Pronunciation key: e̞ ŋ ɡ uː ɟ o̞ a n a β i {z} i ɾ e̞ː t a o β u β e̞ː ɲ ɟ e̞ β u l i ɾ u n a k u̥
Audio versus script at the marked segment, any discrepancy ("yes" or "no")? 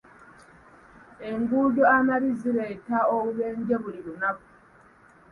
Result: no